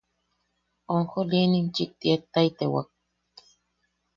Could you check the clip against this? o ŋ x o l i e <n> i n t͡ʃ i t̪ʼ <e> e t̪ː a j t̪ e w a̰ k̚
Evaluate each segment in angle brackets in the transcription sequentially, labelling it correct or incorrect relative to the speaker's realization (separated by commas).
correct, incorrect